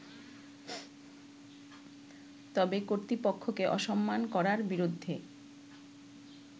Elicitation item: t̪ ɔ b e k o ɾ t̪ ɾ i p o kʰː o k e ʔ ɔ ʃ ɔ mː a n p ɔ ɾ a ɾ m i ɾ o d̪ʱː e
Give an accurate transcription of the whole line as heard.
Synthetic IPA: t̪ ɔ b e k o ɾ t̪ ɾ i p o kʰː o k e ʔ ɔ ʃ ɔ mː a n k ɔ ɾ a ɾ b i ɾ o d̪ʱː e